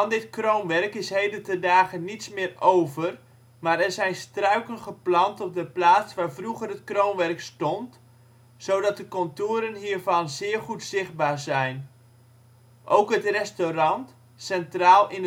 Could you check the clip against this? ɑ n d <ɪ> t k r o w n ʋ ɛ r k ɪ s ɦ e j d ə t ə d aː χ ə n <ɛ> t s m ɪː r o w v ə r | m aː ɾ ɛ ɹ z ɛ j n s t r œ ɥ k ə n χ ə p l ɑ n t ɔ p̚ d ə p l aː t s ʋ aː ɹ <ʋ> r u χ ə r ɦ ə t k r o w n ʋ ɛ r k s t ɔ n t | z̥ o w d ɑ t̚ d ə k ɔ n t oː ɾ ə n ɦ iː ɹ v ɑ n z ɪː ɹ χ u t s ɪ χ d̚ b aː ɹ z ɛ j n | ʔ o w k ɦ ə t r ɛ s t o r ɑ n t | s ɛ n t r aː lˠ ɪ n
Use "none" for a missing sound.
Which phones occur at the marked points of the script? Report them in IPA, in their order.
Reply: ɪ, i, v

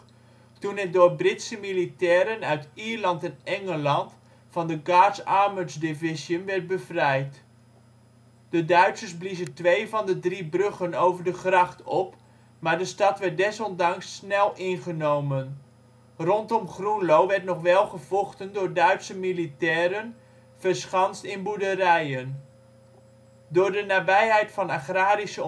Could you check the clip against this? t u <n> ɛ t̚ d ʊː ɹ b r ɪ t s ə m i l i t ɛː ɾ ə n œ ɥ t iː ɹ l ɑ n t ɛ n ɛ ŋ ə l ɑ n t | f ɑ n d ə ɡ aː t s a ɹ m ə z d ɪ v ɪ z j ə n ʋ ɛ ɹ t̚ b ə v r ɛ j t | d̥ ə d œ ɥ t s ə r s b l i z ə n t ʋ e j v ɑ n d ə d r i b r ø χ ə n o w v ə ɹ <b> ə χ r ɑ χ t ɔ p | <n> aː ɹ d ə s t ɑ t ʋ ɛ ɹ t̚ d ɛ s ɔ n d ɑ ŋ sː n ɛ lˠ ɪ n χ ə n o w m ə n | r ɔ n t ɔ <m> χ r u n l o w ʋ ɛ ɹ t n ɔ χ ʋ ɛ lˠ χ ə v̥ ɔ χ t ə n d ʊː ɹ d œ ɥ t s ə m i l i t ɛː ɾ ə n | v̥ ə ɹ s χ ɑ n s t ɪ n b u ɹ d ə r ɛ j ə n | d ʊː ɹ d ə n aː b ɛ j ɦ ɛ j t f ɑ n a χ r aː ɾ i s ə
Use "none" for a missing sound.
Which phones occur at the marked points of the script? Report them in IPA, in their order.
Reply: n, d, m, m

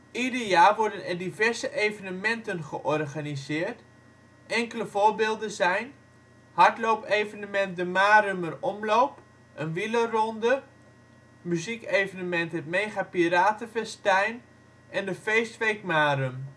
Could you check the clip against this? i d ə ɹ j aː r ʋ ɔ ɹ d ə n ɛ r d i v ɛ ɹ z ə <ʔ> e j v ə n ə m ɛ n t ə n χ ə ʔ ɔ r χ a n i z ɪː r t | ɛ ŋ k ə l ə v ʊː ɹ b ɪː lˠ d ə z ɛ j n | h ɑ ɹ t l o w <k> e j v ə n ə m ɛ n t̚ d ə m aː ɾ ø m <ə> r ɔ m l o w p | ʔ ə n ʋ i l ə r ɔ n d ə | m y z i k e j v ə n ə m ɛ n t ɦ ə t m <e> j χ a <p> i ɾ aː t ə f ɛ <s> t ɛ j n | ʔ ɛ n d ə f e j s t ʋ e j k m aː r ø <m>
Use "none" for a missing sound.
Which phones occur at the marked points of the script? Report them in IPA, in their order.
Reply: ʔ, p, ə, e, p, s, m

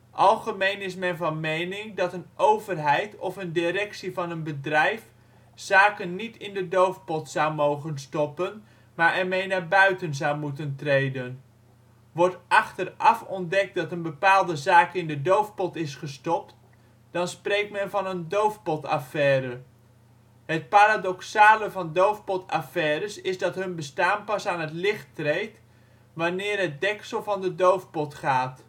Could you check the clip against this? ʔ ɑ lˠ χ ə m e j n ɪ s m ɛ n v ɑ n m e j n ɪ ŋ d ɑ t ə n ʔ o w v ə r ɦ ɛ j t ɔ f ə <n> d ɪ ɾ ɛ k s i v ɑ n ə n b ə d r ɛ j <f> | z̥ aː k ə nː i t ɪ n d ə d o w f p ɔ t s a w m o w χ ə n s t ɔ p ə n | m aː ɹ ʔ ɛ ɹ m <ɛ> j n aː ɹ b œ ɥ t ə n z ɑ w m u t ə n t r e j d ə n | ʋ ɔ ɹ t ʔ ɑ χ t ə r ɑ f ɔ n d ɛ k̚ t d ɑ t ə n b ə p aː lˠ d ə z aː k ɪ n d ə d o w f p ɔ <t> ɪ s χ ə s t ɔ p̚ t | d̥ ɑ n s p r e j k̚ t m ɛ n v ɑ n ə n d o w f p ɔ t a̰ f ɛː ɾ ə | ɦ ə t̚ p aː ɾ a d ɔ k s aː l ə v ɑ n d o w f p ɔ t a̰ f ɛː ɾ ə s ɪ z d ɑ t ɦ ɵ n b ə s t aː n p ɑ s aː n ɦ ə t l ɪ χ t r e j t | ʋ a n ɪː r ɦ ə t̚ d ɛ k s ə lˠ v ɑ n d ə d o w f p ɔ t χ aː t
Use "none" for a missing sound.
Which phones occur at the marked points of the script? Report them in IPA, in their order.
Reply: n, f, e, t

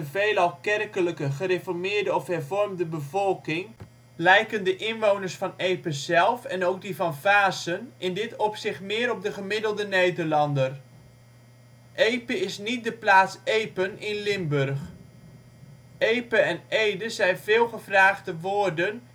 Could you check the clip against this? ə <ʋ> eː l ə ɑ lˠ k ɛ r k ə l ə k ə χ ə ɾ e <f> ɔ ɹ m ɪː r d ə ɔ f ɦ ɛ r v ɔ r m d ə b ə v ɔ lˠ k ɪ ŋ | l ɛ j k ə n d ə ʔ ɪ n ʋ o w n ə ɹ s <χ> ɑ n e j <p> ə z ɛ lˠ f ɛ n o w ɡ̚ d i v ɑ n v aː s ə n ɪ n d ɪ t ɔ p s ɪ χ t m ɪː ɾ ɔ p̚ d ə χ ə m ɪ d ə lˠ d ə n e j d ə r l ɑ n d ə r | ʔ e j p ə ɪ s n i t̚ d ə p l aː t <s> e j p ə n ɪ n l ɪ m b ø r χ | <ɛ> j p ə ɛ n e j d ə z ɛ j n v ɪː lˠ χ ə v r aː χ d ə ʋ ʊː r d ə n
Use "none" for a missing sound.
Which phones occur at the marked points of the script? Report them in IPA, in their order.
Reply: v, f, f, p, s, e

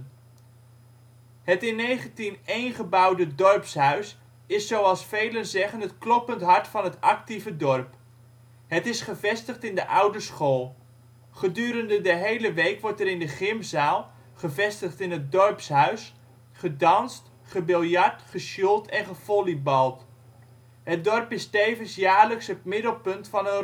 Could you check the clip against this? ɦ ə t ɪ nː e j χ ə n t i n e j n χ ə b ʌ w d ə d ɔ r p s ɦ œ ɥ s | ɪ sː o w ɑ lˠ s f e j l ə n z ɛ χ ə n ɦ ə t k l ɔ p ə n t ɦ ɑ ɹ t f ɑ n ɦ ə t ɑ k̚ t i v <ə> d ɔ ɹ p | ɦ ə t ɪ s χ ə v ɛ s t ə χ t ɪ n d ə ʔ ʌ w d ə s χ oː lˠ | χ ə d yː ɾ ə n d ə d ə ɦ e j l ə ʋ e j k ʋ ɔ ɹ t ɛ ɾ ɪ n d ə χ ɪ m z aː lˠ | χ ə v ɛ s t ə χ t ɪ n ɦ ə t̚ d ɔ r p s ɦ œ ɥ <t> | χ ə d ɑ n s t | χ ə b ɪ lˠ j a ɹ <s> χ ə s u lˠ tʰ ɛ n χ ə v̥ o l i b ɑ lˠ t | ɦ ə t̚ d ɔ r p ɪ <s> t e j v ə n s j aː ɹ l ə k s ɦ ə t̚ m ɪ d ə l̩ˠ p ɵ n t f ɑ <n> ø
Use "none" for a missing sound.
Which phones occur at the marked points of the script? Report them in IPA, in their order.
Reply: ə, s, t, s, n

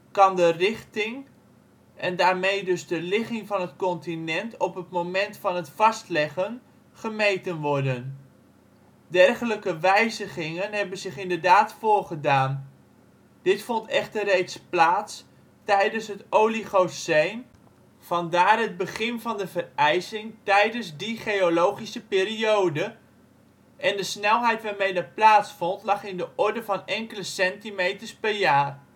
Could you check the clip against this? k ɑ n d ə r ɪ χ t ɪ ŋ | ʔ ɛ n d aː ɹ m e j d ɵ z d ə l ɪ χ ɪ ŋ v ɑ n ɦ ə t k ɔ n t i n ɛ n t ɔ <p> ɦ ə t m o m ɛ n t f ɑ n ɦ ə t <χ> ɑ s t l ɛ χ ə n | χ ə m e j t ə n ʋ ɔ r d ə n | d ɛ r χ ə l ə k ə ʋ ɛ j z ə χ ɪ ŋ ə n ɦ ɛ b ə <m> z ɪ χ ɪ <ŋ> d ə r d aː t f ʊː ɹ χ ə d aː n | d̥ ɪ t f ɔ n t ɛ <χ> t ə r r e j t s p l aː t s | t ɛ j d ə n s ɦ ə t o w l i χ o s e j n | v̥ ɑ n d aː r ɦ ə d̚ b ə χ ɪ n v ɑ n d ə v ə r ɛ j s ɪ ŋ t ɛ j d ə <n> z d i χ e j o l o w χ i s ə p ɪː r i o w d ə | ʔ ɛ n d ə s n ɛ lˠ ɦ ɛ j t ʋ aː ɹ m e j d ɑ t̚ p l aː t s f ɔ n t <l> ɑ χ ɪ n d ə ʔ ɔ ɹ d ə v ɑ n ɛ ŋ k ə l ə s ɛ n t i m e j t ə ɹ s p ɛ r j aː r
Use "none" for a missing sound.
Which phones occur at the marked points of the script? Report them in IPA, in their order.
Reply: p, f, n, n, χ, n, l

